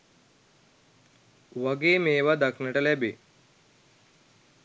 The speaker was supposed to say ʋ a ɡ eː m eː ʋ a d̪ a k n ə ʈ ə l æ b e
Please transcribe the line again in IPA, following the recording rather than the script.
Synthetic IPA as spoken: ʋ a ɡ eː m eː ʋ a d̪ a k n ə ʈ ə l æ b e